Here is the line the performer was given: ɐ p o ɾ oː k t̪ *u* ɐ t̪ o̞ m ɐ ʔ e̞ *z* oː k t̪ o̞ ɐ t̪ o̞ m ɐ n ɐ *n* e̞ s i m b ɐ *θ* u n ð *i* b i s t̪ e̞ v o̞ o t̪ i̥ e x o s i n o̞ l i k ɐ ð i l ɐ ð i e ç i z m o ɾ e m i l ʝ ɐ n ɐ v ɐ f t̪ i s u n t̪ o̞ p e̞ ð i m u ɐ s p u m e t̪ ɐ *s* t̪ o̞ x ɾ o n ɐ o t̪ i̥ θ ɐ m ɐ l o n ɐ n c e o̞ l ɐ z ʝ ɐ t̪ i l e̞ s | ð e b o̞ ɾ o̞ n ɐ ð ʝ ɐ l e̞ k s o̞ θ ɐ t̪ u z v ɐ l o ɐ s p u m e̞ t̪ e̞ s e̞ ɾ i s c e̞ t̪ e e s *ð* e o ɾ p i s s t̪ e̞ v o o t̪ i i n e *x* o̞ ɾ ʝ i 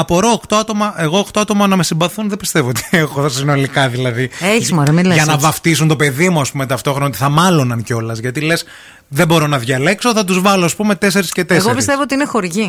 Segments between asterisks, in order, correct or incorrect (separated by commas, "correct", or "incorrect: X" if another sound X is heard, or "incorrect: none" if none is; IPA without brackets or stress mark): incorrect: o, incorrect: ɣ, incorrect: m, correct, incorrect: e, incorrect: f, incorrect: ɣ, correct